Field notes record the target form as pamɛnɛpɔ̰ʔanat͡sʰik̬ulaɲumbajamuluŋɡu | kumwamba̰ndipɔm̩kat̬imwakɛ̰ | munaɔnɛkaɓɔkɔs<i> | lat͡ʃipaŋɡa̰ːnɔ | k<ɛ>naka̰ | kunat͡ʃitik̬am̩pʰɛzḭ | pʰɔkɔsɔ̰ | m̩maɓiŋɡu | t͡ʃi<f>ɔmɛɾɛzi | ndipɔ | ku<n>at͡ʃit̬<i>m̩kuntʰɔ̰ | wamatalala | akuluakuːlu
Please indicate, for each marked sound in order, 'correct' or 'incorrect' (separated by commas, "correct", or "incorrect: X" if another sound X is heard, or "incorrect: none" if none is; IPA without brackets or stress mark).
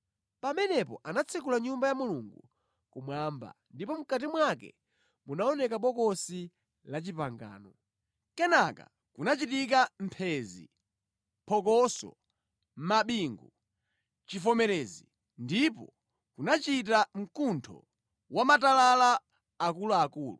correct, correct, correct, correct, incorrect: a